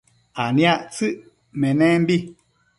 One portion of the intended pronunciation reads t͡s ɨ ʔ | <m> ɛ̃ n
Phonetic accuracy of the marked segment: correct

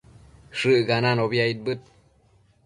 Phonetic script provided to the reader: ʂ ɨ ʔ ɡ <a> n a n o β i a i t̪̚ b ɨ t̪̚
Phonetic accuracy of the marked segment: correct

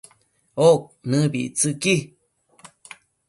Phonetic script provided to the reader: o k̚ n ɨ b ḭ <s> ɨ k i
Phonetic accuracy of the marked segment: incorrect: t͡s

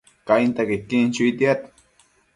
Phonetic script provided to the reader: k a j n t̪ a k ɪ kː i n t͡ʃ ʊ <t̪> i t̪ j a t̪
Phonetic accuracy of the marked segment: incorrect: none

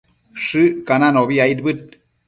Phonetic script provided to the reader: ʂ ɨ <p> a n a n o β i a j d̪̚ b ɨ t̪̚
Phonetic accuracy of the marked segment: incorrect: k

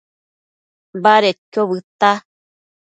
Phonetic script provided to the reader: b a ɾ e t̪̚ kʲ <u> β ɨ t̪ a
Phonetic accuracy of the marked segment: incorrect: o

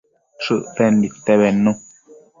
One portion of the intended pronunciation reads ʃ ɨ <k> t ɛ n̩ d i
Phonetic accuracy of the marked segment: incorrect: ʔ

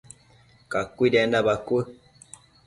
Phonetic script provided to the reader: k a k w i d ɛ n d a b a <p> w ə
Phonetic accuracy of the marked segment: incorrect: k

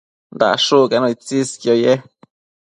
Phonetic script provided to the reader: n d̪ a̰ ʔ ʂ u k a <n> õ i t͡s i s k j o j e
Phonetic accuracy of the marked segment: correct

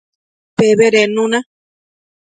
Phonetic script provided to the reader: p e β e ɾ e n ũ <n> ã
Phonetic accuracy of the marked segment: correct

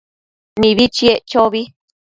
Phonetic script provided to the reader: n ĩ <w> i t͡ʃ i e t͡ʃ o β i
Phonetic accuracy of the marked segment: incorrect: β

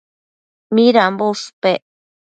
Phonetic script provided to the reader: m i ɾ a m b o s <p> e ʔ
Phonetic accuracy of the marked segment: correct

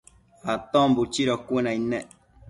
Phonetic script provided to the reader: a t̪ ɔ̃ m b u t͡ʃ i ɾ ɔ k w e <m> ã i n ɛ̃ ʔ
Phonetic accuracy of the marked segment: incorrect: n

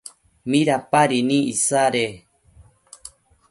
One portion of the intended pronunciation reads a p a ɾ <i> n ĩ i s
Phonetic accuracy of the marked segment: correct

